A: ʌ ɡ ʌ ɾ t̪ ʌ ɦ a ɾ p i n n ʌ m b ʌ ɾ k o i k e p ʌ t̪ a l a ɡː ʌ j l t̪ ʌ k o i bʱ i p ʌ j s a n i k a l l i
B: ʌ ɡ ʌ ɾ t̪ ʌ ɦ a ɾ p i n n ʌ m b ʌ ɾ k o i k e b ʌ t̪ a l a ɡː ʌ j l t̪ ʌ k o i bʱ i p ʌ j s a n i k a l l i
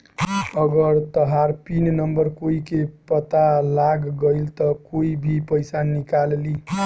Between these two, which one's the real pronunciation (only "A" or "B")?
A